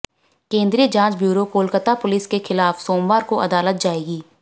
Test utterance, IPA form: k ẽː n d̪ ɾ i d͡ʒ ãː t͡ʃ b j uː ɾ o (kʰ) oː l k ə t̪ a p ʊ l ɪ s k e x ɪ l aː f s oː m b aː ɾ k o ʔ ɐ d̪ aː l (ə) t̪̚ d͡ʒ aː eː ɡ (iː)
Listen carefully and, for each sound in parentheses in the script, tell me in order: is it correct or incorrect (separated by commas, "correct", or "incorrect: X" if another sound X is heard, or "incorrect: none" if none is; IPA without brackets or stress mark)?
incorrect: k, correct, correct